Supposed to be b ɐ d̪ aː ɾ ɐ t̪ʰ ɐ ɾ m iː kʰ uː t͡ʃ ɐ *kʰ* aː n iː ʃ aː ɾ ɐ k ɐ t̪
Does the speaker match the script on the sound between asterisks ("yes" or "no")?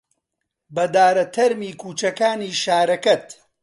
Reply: no